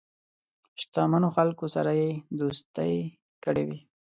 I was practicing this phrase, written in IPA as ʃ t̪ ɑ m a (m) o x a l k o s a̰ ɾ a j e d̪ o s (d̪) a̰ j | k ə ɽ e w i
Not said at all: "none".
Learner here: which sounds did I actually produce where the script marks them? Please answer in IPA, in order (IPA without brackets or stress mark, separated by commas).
n, t̪